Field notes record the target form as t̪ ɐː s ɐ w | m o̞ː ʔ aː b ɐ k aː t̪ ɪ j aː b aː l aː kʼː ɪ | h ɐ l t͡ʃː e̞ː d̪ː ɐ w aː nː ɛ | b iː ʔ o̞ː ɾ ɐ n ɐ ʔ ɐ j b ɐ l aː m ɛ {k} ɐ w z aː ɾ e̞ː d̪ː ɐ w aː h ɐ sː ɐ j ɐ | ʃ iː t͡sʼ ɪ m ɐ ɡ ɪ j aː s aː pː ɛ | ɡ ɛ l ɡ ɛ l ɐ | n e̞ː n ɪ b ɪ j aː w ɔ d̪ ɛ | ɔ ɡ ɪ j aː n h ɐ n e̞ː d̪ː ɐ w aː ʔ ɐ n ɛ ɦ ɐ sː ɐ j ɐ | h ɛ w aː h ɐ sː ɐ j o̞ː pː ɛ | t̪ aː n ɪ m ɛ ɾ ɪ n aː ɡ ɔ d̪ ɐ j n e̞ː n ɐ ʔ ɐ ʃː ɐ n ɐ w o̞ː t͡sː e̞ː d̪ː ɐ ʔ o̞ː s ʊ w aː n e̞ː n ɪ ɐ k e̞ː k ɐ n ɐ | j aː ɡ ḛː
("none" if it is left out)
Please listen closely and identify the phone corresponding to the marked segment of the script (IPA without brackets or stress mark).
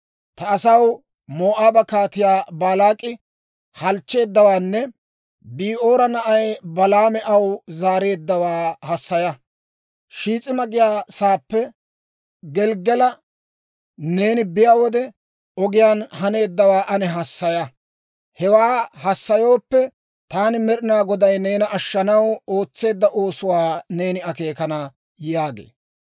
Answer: ʔ